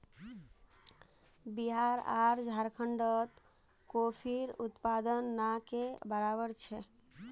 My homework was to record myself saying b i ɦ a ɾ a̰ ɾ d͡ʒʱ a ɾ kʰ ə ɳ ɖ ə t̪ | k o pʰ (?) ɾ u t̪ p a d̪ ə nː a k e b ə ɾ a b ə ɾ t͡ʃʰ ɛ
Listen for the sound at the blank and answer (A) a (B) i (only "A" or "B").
B